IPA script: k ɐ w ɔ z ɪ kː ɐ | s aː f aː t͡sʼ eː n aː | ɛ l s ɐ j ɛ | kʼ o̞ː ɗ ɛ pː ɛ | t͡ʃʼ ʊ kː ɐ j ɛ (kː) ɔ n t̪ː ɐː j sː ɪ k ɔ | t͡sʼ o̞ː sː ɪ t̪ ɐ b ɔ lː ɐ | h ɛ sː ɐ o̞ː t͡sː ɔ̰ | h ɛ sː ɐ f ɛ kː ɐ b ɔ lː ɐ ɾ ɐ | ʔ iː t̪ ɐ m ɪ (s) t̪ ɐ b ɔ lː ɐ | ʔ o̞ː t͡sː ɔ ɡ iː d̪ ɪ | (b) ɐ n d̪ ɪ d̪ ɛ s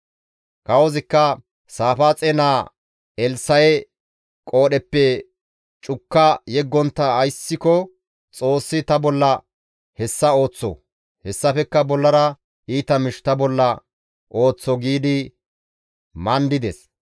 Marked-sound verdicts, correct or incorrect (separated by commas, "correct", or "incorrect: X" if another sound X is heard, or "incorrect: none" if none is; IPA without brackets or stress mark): incorrect: ɡː, incorrect: ʃ, incorrect: m